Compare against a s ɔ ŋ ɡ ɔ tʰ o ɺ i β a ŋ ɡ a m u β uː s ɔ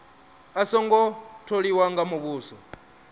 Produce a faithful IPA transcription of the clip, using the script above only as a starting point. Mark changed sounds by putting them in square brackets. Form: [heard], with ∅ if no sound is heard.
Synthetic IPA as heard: a s ɔ ŋ ɡ ɔ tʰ o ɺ i [w] a ŋ ɡ a m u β uː s ɔ